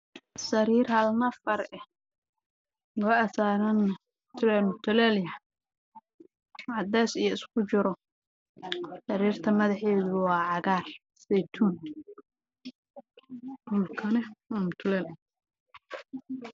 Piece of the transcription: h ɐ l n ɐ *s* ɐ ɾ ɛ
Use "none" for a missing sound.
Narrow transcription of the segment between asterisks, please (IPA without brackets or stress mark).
f